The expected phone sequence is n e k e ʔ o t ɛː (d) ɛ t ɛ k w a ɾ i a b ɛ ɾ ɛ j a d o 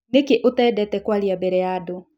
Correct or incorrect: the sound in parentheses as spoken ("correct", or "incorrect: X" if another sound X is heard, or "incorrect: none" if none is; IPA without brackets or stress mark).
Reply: correct